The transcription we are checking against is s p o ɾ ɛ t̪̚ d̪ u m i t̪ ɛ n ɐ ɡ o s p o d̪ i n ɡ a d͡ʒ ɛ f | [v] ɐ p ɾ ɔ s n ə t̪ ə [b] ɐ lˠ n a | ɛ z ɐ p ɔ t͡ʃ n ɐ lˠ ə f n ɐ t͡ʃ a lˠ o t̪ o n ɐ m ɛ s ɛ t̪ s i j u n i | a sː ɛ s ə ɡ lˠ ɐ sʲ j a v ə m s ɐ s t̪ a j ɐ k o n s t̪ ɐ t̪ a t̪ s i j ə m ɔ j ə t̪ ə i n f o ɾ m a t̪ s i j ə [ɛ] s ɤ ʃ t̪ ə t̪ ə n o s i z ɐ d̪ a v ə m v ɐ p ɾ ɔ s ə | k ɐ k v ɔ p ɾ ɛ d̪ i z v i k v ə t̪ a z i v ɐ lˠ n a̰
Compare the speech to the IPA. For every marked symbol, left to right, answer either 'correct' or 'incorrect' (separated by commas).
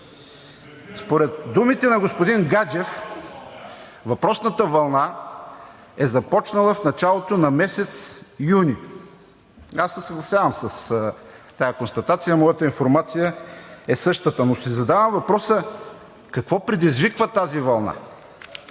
correct, incorrect, correct